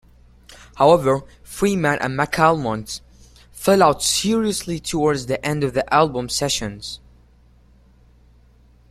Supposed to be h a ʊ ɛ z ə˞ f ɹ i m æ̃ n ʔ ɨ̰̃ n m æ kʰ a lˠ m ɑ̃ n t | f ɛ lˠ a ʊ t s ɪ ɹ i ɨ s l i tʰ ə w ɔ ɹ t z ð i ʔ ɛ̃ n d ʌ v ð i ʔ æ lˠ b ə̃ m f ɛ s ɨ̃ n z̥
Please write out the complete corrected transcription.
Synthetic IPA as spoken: h a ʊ ɛ v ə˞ f ɹ i m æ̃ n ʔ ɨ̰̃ n m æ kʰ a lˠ m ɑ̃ n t | f ɛ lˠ a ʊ t s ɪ ɹ i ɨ s l i tʰ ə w ɔ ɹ d z ð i ʔ ɛ̃ n d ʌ v ð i ʔ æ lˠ b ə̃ m s ɛ ʃ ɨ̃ n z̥